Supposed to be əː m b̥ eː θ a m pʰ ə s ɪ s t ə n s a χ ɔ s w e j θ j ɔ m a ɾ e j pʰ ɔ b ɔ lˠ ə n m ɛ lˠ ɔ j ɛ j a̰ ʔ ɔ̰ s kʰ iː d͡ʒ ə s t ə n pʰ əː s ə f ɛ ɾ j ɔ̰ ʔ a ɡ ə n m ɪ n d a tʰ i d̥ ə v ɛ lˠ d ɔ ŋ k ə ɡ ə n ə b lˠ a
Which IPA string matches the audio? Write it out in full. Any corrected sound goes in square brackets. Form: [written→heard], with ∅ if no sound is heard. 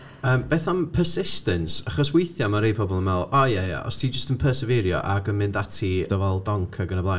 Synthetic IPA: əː m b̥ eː θ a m pʰ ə s ɪ s t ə n s a χ ɔ s w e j θ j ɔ m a ɾ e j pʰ ɔ b ɔ lˠ ə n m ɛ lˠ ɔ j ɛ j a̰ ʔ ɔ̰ s [kʰ→tʰ] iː d͡ʒ ə s t ə n pʰ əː s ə [f→v] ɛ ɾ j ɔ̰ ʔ a ɡ ə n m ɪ n d a tʰ i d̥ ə v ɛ lˠ d ɔ ŋ [k→kʰ] ə ɡ ə n ə b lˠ a